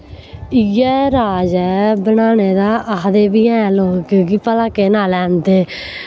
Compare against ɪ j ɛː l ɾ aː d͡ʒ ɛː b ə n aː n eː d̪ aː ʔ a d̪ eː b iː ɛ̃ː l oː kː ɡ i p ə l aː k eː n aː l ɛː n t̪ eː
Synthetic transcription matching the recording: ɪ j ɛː ɾ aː d͡ʒ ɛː b ə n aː n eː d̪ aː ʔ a d̪ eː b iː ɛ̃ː l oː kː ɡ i p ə l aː k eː n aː l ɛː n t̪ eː